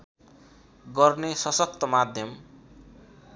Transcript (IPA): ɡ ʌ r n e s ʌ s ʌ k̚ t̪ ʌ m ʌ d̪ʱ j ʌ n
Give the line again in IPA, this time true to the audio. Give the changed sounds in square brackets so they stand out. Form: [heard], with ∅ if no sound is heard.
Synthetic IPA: ɡ ʌ r n e s ʌ s ʌ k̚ t̪ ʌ m [a] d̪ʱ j ʌ [m]